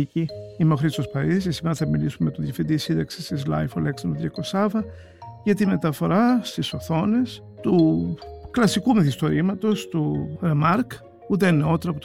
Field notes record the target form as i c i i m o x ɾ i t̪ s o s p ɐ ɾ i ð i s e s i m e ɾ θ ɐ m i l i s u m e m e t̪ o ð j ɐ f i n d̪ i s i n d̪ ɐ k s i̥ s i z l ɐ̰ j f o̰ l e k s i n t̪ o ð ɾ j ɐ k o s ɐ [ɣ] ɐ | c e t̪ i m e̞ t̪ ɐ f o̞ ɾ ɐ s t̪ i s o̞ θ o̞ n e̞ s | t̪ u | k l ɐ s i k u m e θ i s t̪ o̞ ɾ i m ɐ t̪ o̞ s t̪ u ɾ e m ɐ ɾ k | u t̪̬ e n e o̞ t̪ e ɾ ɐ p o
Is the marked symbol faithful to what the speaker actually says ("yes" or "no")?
no